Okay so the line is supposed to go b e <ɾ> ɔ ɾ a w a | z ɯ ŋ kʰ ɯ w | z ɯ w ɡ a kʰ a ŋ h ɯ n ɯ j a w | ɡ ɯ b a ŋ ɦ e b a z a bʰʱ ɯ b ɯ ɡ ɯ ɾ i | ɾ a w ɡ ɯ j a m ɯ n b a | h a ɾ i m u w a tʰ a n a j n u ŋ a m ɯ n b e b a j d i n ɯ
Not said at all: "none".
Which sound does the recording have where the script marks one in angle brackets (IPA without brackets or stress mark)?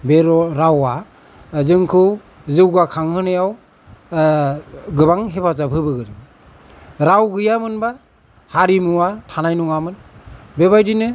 ɾ